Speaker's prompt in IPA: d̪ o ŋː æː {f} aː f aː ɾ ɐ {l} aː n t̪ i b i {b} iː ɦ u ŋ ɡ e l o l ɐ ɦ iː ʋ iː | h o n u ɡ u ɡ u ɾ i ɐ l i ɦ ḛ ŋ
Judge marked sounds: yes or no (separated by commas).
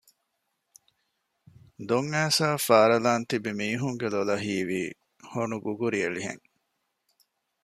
no, yes, no